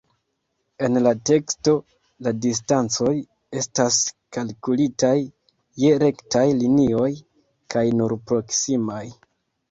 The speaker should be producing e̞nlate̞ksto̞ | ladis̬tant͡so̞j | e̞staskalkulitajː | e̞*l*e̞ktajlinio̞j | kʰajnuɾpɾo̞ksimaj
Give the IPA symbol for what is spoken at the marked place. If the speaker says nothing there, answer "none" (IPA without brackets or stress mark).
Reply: ɾ